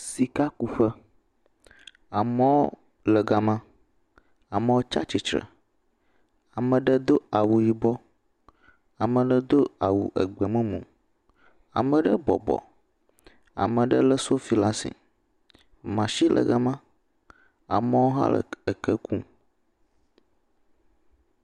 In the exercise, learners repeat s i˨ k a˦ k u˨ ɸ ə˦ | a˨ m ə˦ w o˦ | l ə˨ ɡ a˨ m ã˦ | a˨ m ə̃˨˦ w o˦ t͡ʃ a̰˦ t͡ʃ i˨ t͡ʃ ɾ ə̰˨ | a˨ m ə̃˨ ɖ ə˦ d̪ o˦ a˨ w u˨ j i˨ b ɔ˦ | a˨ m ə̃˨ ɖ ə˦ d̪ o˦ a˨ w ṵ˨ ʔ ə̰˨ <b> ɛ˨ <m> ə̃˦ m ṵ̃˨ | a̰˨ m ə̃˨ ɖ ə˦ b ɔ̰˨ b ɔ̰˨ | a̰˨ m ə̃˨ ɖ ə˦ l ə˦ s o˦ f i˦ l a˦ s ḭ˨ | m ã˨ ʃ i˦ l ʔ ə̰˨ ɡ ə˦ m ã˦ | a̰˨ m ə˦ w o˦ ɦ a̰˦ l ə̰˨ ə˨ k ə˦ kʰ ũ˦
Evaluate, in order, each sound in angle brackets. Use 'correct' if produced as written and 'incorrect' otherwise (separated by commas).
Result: incorrect, correct